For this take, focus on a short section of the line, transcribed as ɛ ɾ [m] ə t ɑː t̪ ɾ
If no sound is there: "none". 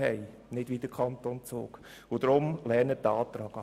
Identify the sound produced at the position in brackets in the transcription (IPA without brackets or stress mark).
n